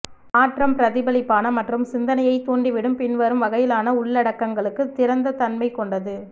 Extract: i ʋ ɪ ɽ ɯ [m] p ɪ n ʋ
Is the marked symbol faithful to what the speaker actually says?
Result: yes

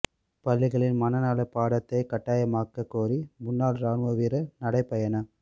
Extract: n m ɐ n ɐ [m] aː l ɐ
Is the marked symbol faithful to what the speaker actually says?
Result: no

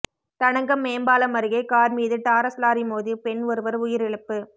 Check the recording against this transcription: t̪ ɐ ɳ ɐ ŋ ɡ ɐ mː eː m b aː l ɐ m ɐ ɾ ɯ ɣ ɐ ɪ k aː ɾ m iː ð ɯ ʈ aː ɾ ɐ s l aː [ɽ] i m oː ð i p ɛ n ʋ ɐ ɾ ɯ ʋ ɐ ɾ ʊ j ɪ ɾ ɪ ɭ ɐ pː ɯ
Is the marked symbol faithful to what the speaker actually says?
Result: no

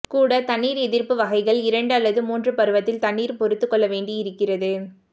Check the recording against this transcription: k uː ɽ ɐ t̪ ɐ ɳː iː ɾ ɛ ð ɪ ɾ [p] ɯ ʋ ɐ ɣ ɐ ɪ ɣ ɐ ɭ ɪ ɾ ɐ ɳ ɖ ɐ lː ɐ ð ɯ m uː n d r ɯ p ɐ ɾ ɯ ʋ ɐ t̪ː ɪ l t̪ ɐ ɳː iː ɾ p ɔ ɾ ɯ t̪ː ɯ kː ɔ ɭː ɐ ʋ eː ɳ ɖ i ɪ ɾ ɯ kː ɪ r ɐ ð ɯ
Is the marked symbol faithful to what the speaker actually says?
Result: yes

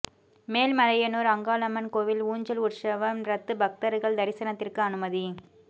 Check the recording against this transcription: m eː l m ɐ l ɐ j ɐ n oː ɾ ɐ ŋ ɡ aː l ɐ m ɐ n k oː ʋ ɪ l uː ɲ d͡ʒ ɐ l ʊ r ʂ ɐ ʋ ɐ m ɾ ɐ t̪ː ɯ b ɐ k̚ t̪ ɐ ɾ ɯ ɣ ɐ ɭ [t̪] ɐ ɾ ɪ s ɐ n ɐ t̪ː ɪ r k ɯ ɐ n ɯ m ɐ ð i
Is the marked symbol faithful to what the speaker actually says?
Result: no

